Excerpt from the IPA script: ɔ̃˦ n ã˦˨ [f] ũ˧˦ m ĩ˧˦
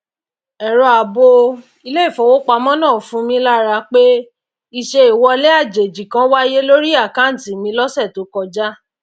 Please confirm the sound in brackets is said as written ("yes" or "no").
yes